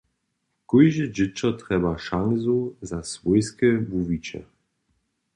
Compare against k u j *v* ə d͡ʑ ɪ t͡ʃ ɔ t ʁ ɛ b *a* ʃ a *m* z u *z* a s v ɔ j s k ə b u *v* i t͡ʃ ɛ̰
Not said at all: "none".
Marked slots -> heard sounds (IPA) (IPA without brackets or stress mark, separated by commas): ʒ, a, ŋ, z, v